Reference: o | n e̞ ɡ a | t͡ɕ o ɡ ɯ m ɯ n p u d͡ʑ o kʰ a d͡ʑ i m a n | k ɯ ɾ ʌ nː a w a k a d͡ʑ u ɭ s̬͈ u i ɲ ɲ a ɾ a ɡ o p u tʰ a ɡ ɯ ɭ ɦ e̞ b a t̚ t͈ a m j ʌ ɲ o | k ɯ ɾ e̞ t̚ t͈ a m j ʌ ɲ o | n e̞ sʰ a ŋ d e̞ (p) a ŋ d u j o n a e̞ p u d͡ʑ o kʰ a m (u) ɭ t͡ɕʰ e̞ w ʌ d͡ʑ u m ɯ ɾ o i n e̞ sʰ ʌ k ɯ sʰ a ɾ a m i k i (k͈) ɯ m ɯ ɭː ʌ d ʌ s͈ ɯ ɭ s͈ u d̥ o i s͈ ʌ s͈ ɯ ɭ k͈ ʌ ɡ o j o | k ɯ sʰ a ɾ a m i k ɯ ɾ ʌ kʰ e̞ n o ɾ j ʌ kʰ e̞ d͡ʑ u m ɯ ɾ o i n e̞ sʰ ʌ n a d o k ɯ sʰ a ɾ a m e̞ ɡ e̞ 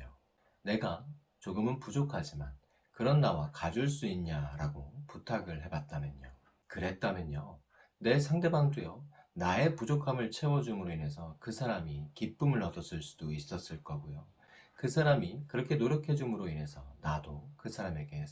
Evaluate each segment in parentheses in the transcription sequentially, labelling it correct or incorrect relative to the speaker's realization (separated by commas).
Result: incorrect, incorrect, incorrect